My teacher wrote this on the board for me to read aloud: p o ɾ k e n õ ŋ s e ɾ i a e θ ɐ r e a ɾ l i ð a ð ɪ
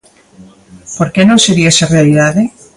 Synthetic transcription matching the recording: p o ɾ k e n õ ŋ s e ɾ i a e s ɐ r e a l i ð a ð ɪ